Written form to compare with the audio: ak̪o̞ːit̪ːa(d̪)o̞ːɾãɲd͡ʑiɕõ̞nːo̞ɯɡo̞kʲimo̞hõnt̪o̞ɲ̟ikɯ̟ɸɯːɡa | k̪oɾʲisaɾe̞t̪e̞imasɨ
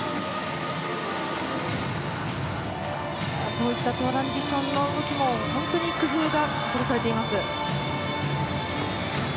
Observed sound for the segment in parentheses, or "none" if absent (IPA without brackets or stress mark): t̪